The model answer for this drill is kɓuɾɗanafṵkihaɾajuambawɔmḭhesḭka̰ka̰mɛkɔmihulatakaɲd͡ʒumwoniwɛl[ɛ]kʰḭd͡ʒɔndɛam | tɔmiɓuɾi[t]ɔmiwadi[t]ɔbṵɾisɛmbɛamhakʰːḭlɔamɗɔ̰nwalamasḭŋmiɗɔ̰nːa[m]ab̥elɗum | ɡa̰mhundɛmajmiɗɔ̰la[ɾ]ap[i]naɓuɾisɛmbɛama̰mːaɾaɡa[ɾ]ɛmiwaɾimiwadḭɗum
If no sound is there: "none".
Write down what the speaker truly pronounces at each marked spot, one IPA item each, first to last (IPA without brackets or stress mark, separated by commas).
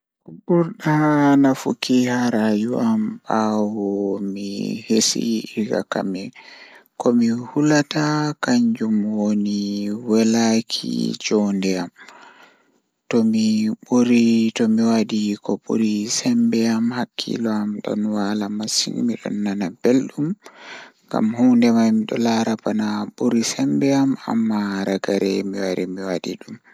a, t, k, n, ɾ, a, ɾ